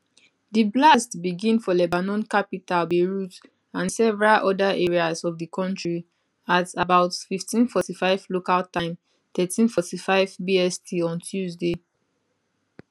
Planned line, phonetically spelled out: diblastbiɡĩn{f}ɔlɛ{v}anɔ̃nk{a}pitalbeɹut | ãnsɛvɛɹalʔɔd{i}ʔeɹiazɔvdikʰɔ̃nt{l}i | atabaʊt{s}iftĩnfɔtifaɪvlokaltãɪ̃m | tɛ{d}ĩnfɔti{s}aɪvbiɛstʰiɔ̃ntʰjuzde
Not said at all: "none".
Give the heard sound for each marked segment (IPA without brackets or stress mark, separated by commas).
f, b, a, a, ɹ, f, t, f